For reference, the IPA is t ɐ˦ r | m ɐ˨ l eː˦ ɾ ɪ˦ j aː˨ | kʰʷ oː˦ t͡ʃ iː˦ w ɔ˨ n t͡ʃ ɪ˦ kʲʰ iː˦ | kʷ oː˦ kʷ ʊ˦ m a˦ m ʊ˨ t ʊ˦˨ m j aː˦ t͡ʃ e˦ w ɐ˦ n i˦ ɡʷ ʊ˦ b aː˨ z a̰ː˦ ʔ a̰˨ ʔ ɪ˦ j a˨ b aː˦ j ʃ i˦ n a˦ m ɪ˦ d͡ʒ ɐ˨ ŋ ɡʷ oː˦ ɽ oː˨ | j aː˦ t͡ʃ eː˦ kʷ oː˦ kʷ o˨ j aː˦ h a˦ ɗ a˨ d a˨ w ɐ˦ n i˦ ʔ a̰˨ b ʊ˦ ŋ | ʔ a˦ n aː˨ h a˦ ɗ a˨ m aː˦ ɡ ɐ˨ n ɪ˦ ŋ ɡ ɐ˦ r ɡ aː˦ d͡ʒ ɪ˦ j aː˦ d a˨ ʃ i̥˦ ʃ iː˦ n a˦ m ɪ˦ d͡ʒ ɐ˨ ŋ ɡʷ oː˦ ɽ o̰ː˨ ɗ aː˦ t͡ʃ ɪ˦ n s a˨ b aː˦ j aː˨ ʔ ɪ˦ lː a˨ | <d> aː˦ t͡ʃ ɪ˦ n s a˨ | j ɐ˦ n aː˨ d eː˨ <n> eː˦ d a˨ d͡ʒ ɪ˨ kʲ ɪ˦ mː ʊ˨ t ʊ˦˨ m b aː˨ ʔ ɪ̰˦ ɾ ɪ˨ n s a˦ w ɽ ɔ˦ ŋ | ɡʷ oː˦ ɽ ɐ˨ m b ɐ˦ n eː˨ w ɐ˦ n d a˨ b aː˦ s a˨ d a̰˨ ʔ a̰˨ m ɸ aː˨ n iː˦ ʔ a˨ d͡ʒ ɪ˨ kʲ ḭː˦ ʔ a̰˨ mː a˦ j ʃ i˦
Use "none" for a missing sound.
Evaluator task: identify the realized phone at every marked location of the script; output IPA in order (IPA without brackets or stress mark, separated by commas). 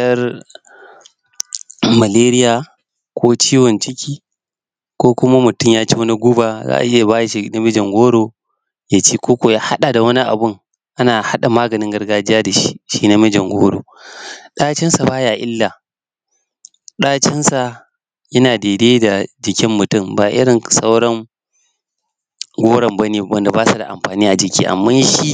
ɗ, d